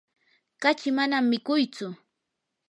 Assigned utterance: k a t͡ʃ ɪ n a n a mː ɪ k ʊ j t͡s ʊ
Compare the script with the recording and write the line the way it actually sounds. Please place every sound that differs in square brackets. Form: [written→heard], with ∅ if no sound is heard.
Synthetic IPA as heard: k a t͡ʃ ɪ [n→m] a n a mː ɪ k ʊ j t͡s ʊ